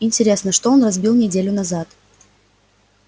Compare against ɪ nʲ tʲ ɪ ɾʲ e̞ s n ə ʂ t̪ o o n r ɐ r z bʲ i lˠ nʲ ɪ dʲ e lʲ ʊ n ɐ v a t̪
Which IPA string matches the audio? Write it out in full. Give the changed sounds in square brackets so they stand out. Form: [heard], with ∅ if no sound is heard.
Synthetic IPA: ɪ nʲ tʲ ɪ ɾʲ e̞ s n ə ʂ t̪ o o n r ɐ [∅] z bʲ i lˠ nʲ ɪ dʲ e lʲ ʊ n ɐ [z] a t̪